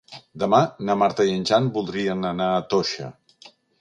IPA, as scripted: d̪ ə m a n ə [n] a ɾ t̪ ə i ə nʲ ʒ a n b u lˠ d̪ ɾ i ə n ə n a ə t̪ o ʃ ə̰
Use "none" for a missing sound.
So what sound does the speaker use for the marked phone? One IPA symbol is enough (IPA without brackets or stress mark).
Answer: m